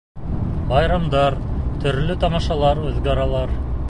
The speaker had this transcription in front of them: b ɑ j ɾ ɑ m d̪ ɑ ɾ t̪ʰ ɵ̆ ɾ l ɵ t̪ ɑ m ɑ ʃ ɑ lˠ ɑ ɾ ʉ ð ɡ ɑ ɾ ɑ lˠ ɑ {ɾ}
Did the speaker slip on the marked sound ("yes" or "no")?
no